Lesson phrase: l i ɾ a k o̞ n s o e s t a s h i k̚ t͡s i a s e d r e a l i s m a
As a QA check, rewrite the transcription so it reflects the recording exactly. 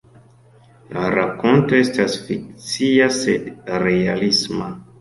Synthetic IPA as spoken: l a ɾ a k o̞ n t o e s t a s f i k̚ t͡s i a s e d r e a l i s m a